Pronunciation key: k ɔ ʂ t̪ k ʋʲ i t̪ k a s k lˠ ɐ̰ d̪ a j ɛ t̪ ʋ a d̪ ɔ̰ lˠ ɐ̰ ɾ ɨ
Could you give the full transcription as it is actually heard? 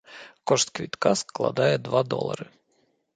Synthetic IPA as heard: k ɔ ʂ t̪ k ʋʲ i t̪ k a s k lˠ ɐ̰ d̪ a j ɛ d̪ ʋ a d̪ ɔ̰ lˠ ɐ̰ ɾ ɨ